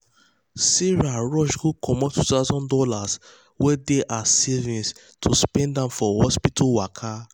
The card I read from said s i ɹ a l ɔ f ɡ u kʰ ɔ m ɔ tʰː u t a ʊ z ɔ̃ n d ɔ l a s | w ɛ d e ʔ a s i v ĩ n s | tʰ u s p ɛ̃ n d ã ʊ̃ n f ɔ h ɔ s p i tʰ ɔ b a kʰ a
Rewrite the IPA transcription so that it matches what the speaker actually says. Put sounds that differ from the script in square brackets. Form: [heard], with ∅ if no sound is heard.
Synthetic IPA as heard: s i ɹ a [ɹ] ɔ [ʃ] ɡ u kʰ ɔ m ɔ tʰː u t a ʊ z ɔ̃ n d ɔ l a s | w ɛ d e ʔ a s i v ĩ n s | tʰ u s p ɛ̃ n d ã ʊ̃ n f ɔ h ɔ s p i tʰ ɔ [w] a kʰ a